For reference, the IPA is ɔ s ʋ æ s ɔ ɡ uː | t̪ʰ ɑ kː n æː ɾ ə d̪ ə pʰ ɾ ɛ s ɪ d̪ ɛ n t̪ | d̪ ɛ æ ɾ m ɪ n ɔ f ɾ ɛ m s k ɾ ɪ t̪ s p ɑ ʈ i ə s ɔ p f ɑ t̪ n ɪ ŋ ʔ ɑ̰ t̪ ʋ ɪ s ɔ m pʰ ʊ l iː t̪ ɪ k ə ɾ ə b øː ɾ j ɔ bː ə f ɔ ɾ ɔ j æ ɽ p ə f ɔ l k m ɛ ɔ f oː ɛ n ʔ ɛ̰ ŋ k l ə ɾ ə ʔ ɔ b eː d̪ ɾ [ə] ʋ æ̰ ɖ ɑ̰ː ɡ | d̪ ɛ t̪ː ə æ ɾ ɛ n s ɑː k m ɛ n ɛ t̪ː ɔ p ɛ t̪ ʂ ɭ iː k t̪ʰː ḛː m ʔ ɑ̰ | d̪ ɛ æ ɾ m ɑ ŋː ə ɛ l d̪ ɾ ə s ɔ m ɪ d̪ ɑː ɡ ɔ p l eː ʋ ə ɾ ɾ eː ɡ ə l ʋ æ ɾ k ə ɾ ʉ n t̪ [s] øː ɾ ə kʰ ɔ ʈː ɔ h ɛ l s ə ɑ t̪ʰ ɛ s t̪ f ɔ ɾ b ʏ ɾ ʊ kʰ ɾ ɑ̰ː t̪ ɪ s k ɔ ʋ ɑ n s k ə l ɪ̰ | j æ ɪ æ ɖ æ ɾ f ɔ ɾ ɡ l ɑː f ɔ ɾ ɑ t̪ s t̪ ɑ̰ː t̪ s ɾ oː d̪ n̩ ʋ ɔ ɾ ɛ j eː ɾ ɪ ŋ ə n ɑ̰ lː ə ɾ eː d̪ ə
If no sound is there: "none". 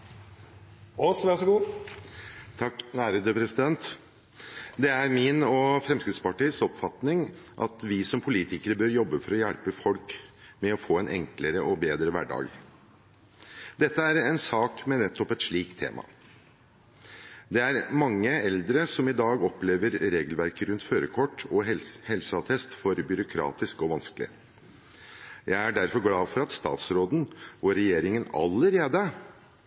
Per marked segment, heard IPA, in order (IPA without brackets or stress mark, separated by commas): ə, f